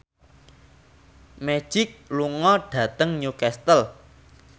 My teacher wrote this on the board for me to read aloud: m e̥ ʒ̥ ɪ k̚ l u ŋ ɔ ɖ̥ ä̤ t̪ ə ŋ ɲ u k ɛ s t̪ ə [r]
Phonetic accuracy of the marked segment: incorrect: l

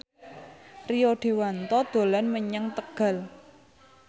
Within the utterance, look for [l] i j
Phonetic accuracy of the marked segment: incorrect: r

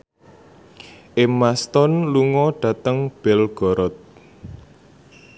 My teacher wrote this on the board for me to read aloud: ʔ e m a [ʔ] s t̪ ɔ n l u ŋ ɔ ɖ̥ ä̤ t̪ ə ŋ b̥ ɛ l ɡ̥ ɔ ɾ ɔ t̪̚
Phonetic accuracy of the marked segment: incorrect: none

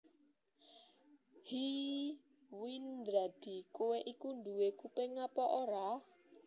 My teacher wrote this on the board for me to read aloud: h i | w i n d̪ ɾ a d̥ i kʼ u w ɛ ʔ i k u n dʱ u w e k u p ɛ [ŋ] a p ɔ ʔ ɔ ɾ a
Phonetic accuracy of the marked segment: correct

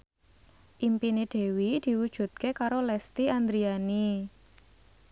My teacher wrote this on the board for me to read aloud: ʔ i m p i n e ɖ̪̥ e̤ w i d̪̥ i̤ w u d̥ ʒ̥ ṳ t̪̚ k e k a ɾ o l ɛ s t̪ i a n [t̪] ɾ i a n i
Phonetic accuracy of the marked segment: incorrect: d̪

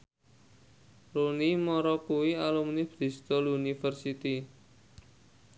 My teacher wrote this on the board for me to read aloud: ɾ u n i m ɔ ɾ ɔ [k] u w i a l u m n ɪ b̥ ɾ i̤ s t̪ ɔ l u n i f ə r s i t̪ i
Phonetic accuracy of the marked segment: correct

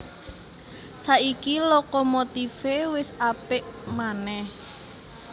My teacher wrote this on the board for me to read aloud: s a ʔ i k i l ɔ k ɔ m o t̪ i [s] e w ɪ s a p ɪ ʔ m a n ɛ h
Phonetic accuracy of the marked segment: incorrect: f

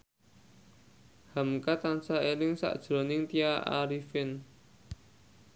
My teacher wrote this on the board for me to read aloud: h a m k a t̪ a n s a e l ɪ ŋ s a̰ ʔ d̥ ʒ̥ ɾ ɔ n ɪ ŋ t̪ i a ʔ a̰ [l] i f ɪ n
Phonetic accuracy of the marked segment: incorrect: ɾ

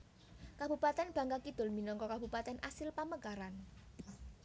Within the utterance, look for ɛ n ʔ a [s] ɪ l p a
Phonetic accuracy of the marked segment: correct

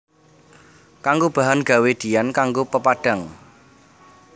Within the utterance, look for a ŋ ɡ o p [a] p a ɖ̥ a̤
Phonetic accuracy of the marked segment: incorrect: ə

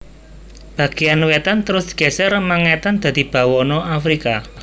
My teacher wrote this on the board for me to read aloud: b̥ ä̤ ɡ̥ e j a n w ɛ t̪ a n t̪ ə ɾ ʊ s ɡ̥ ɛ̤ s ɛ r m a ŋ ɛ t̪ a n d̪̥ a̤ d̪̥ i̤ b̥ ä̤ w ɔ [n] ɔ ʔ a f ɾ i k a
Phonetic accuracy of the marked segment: correct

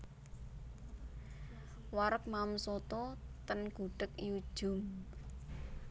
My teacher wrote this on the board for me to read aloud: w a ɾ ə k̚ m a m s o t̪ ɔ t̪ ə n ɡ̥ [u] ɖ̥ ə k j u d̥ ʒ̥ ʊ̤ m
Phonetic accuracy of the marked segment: correct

